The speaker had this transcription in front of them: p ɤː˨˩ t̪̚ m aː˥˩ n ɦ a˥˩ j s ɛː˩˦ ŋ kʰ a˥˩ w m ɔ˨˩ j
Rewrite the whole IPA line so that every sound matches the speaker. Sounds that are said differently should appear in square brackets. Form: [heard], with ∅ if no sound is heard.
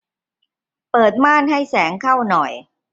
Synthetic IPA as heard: p ɤː˨˩ t̪̚ m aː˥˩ n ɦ a˥˩ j s ɛː˩˦ ŋ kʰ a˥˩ w [n] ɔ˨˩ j